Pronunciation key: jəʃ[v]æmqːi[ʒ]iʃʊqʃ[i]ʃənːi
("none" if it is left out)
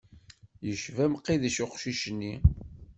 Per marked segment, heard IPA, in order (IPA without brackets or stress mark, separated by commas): v, ð, i